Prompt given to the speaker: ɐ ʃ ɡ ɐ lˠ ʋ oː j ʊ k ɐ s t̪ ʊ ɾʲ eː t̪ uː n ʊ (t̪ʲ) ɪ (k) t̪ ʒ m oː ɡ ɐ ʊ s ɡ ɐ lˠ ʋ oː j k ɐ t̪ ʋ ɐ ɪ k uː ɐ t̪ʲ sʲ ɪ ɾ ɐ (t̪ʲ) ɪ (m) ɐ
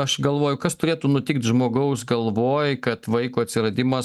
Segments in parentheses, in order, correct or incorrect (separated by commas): correct, correct, incorrect, correct